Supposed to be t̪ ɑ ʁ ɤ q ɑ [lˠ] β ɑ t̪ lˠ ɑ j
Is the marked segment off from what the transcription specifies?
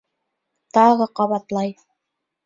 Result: yes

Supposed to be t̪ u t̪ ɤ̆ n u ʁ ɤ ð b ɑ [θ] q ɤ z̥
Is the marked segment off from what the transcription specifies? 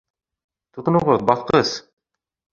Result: no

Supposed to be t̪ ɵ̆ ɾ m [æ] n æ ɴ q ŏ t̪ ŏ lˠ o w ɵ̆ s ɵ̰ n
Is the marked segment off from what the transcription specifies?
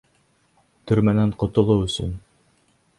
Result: no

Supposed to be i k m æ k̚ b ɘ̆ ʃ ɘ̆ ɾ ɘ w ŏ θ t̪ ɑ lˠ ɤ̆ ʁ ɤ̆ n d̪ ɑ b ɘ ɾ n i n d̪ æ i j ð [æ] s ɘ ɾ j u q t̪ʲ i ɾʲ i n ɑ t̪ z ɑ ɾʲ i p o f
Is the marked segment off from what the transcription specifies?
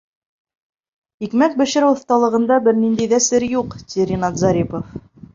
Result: no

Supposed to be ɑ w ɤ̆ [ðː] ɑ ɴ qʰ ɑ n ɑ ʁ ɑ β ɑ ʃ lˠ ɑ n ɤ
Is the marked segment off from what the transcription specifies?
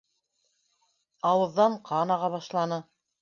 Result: no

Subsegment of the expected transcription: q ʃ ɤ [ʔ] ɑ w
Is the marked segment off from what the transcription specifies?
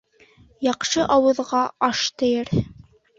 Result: no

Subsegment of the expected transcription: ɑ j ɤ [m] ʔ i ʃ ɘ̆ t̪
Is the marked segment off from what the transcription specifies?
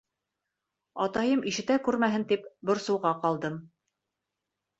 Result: no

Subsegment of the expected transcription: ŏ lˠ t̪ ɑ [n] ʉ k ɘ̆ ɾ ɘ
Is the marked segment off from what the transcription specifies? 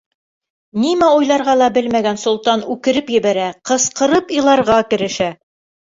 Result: no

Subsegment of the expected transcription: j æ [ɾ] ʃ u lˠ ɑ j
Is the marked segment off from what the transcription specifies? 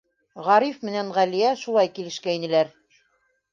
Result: yes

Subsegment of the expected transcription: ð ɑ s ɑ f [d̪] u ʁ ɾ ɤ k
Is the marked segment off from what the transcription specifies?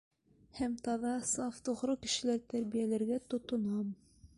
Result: yes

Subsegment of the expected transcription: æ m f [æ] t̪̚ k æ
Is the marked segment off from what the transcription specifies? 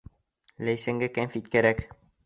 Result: yes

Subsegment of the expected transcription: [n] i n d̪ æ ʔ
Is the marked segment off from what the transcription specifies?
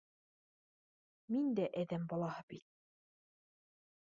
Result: yes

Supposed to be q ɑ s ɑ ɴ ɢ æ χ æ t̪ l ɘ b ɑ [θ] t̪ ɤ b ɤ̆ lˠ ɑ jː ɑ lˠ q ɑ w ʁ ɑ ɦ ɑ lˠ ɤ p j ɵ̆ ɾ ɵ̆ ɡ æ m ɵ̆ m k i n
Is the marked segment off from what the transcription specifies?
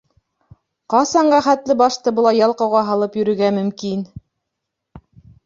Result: yes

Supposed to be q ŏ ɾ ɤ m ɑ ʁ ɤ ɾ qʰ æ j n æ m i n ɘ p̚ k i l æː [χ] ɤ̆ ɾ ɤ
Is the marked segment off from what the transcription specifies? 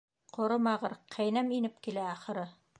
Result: no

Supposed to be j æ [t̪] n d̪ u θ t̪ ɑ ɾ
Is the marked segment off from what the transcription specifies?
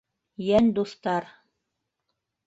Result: yes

